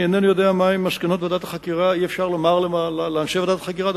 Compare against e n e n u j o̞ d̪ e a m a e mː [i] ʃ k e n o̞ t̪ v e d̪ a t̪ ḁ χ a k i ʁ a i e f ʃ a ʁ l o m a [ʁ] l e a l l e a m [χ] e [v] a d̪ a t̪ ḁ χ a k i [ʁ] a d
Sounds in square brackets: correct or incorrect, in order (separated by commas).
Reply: incorrect, correct, incorrect, correct, correct